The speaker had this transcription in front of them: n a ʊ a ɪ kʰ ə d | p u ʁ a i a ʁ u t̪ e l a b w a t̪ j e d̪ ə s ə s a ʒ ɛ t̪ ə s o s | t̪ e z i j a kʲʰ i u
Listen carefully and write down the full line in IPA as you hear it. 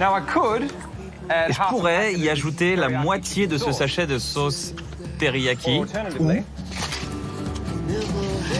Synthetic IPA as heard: n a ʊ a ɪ kʰ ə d | p u ʁ ɛ i a ʒ u t̪ e l a m w a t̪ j e d̪ ə s ə s a ʃ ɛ d̪ ə s o s | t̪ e ʁ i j a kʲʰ i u